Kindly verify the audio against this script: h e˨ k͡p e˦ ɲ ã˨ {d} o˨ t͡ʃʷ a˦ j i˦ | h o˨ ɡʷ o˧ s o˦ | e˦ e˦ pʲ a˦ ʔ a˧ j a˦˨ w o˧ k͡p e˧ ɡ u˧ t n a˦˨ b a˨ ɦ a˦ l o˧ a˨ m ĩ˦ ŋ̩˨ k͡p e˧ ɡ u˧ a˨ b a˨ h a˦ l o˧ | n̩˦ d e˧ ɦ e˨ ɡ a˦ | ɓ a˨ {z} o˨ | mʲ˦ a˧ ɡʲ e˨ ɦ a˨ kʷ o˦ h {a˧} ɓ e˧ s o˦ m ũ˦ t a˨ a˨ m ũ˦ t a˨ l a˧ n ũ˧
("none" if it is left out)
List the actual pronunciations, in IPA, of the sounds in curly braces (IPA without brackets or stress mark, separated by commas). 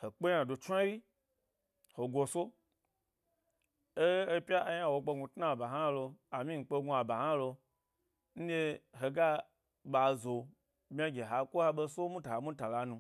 d, z, a˧